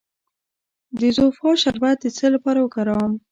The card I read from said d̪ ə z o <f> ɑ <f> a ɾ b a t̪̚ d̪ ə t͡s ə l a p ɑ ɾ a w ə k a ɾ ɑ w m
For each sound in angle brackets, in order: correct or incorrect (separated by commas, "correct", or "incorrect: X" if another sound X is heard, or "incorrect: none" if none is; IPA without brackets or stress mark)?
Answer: correct, incorrect: ʃ